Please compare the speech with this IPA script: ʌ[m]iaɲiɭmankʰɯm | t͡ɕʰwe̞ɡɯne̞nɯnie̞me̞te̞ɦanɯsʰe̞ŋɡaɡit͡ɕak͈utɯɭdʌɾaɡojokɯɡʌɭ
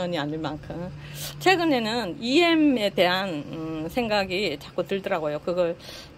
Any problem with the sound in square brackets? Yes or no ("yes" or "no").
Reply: yes